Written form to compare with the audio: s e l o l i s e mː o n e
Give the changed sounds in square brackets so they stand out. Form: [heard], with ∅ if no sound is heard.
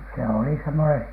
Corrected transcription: s e [∅] o l i s e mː o n e

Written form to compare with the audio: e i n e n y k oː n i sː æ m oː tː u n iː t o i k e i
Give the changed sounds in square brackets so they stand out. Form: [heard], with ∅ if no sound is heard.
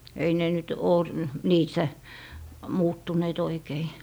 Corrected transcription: e i n e n y [t] oː n [iː] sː æ m [uː] tː u n [eː] t o i k e i

